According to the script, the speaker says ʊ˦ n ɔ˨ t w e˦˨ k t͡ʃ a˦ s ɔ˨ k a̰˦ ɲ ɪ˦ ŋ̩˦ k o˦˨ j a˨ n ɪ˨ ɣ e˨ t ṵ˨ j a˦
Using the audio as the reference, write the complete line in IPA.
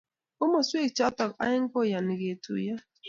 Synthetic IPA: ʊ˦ m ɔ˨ s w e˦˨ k t͡ʃ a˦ t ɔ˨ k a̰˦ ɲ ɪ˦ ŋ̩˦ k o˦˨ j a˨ n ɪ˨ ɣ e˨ t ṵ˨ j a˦